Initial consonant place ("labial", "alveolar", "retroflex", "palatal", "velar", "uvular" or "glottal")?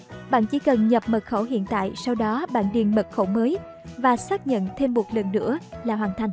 labial